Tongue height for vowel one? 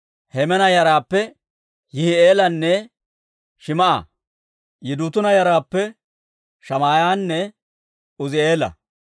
mid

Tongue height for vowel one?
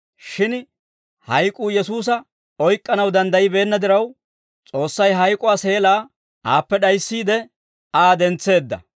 high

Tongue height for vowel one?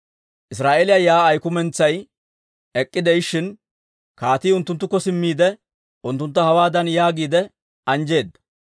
high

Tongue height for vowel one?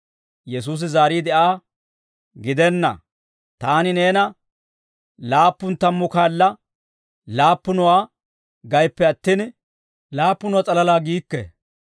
mid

